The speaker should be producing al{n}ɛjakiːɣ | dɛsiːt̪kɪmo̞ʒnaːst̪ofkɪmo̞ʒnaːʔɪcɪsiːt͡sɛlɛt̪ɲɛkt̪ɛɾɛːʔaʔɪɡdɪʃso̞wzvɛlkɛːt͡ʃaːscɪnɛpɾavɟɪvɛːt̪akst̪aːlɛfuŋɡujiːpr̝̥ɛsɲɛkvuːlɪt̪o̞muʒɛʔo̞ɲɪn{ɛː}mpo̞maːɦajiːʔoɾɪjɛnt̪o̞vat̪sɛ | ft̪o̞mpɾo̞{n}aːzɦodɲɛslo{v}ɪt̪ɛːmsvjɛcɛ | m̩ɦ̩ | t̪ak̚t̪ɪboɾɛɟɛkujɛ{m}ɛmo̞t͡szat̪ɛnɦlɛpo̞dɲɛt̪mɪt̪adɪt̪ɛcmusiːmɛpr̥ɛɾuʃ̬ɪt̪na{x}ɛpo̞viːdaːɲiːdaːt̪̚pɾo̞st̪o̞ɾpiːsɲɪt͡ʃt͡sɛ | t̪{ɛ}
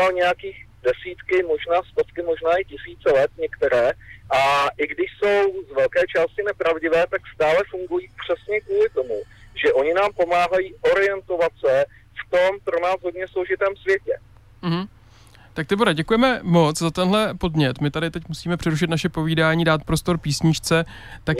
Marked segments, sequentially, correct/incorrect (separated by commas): incorrect, incorrect, correct, incorrect, correct, incorrect, incorrect